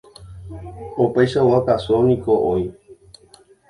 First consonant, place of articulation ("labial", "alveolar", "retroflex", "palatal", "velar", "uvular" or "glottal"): labial